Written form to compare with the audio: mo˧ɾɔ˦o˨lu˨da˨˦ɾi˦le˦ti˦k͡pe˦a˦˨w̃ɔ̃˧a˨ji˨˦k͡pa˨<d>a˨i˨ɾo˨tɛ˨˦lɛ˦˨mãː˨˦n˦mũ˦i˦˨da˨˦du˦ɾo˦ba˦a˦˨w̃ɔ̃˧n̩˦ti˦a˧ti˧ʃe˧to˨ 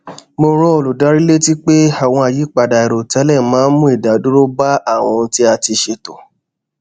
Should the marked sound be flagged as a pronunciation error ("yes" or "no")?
no